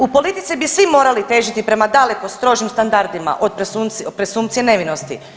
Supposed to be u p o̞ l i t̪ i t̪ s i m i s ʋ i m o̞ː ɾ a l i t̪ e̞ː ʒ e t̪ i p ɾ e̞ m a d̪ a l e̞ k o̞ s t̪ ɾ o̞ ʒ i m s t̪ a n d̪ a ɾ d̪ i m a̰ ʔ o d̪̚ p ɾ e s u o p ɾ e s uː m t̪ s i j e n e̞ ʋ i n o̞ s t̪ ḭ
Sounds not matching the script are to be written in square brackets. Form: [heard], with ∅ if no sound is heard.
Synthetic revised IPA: u p o̞ l i t̪ i t̪ s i [b] i s ʋ i m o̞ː ɾ a l i t̪ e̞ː ʒ [i] t̪ i p ɾ e̞ m a d̪ a l e̞ k o̞ s t̪ ɾ o̞ ʒ i m s t̪ a n d̪ a ɾ d̪ i m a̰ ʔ o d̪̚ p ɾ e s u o p ɾ e s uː m t̪ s i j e n e̞ ʋ i n o̞ s t̪ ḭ

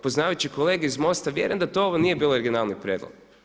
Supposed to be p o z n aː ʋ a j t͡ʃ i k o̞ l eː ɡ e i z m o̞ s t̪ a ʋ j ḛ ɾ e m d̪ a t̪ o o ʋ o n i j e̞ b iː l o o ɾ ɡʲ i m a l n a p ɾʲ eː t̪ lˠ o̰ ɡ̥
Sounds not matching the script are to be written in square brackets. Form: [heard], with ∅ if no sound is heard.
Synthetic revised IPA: p o z n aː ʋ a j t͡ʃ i k o̞ l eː ɡ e i z m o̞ s t̪ a ʋ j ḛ ɾ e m d̪ a t̪ o o ʋ o n i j e̞ b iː l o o ɾ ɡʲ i [n] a l n [i] p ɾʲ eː [d̪] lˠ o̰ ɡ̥

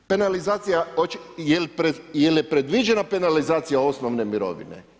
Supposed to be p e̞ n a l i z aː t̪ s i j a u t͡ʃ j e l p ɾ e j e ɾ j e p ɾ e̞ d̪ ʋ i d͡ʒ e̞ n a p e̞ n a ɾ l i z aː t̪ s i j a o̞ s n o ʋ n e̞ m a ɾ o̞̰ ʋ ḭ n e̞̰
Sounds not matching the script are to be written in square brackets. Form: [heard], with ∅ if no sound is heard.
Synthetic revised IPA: p e̞ n a l i z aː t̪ s i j a [o] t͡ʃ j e l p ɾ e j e [l] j e p ɾ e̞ d̪ ʋ i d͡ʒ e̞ n a p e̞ n a [∅] l i z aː t̪ s i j a o̞ s n o ʋ n e̞ m [i] ɾ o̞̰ ʋ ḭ n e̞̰

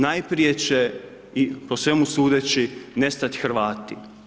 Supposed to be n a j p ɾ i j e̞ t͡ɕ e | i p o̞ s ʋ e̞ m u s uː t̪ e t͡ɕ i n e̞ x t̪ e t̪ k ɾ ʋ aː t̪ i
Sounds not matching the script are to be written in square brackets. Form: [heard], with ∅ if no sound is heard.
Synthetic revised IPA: n a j p ɾ i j e̞ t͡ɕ e | i p o̞ s ʋ e̞ m u s uː [d̪] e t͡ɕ i n e̞ [s] t̪ [a] t̪ [x] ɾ ʋ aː t̪ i

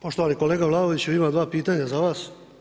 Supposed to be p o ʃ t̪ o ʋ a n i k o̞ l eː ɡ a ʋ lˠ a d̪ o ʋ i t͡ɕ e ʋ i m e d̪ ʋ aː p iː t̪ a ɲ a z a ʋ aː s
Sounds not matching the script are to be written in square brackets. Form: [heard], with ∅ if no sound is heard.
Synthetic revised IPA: p o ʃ t̪ o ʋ a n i k o̞ l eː ɡ a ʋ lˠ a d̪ o ʋ i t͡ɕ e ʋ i m [a] d̪ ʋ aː p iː t̪ a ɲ a z a ʋ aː s

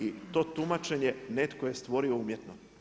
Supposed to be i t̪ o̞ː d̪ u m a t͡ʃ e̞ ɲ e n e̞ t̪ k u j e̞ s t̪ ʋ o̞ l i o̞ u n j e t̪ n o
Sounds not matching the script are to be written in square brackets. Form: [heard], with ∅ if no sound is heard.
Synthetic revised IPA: i t̪ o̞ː [t̪] u m a t͡ʃ e̞ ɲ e n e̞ t̪ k [o] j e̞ s t̪ ʋ o̞ [ɾ] i o̞ u [m] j e t̪ n o

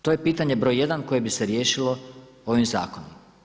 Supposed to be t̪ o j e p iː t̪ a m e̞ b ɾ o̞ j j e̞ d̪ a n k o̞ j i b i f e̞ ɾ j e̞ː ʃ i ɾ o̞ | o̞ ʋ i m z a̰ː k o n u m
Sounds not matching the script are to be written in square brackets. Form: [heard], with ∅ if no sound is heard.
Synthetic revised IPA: t̪ o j e p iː t̪ a [ɲ] e̞ b ɾ o̞ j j e̞ d̪ a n k o̞ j [e] b i [s] e̞ ɾ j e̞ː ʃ i [l] o̞ | o̞ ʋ i m z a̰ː k o n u m

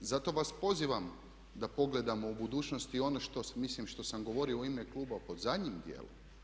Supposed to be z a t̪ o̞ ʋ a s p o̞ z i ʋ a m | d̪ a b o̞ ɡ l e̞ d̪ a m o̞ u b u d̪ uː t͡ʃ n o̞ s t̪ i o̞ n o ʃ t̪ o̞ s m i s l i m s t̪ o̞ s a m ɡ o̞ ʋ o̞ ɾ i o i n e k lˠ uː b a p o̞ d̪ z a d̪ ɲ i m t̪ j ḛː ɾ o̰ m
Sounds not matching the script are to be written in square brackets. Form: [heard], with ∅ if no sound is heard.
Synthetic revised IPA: z a t̪ o̞ ʋ a s p o̞ z i ʋ a m | d̪ a [p] o̞ ɡ l e̞ d̪ a m o̞ u b u d̪ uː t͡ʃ n o̞ s t̪ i o̞ n o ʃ t̪ o̞ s m i s l i m [ʃ] t̪ o̞ s a m ɡ o̞ ʋ o̞ ɾ i o i [m] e k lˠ uː b a p o̞ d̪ z a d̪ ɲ i m [d̪] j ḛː [l] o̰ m

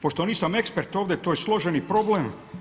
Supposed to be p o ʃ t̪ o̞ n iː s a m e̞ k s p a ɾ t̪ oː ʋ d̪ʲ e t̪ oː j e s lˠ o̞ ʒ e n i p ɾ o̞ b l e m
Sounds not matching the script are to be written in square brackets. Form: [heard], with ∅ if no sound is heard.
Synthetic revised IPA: p o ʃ t̪ o̞ n iː s a m e̞ k s p [e] ɾ t̪ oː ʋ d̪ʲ e t̪ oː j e s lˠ o̞ ʒ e n i p ɾ o̞ b l e m

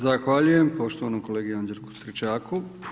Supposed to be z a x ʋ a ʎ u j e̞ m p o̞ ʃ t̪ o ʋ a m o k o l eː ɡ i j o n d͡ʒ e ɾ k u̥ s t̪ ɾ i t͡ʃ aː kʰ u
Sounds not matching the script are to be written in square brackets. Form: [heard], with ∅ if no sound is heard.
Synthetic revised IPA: z a x ʋ a ʎ u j e̞ m p o̞ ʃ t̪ o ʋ a [n] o k o l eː ɡ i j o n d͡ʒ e ɾ k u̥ s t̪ ɾ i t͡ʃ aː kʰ u

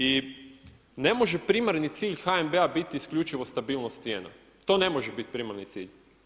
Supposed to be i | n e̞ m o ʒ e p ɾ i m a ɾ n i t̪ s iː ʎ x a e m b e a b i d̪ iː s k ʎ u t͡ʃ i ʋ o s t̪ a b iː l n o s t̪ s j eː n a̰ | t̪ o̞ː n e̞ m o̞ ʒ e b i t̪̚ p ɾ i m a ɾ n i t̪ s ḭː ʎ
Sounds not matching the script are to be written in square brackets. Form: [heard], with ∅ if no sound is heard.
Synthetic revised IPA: i | n e̞ m o ʒ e p ɾ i m a ɾ n i t̪ s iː ʎ x a e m b e a b i [t̪] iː s k ʎ u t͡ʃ i ʋ o s t̪ a b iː l n o s t̪ s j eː n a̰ | t̪ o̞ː n e̞ m o̞ ʒ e b i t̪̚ p ɾ i m a ɾ n i t̪ s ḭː ʎ

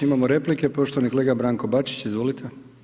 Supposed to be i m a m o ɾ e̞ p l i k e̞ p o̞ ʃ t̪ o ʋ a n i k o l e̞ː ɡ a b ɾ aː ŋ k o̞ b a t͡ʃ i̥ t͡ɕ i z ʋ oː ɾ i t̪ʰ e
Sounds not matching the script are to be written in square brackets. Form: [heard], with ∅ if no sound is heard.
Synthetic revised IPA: i m a m o ɾ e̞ p l i k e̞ p o̞ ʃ t̪ o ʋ a n i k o l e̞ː ɡ a b ɾ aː ŋ k o̞ b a t͡ʃ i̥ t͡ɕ i z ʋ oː [l] i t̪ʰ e

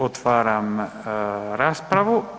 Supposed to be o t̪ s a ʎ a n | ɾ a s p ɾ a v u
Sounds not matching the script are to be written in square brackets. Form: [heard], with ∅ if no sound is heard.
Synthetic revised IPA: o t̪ [f] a [ɾ] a [m] | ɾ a s p ɾ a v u

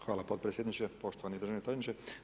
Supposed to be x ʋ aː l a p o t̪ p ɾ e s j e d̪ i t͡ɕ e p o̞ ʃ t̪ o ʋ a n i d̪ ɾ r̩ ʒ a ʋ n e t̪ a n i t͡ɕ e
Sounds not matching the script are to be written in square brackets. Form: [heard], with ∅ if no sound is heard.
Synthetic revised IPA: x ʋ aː l a p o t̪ p ɾ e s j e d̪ i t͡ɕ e p o̞ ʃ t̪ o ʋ a n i d̪ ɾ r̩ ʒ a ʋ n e t̪ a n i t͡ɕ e

